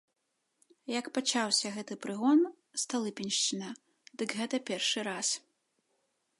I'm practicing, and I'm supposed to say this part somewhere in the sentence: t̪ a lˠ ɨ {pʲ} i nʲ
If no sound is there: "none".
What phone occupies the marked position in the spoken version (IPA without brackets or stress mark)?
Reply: pʲ